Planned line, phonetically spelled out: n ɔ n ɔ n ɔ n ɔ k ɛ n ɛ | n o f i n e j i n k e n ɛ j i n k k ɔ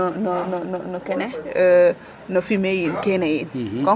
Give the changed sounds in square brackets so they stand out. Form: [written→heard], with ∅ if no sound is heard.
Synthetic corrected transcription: n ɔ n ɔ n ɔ n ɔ k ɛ n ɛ | n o f i [n→m] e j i n k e n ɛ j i n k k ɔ